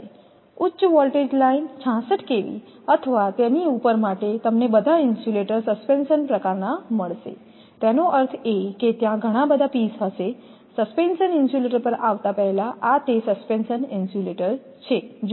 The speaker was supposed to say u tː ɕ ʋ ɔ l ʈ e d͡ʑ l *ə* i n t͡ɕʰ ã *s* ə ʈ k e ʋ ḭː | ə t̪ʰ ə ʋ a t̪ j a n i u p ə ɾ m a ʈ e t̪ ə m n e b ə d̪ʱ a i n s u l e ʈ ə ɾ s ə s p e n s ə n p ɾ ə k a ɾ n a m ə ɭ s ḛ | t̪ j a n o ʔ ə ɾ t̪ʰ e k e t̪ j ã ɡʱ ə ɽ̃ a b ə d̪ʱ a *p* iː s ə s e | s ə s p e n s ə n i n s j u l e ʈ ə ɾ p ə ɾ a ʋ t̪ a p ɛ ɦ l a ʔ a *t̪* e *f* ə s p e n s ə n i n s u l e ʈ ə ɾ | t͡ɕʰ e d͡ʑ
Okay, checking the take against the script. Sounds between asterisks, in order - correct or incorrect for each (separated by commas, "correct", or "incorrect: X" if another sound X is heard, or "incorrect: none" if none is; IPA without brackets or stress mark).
incorrect: a, correct, correct, correct, incorrect: s